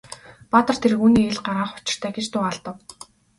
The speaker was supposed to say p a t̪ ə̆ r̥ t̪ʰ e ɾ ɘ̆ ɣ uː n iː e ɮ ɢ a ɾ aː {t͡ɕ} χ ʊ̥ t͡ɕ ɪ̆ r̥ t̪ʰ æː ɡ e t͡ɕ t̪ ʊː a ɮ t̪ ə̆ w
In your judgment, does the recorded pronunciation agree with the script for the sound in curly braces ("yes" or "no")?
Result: no